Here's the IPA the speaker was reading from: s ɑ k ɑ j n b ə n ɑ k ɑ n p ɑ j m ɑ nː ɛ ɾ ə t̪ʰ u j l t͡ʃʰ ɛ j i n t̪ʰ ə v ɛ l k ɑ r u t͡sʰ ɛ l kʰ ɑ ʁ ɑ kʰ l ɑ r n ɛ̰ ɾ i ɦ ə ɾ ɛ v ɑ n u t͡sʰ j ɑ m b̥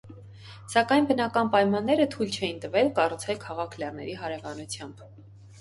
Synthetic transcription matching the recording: s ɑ k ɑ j n b ə n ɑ k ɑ n p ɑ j m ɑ nː ɛ ɾ ə t̪ʰ u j l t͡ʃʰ ɛ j i n t̪ ə v ɛ l k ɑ r u t͡sʰ ɛ l kʰ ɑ ʁ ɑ kʰ l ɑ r n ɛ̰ ɾ i ɦ ɑ ɾ ɛ v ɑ n u t͡sʰ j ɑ m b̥